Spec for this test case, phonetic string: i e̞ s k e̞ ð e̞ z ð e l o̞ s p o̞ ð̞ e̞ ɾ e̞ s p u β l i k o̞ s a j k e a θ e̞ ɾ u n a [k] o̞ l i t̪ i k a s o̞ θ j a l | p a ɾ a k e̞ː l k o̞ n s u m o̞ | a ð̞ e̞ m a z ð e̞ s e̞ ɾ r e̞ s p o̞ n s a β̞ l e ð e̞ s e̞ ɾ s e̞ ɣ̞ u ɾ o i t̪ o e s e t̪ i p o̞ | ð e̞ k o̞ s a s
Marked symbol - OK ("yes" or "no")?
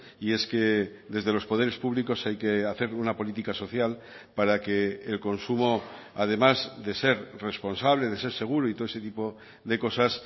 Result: no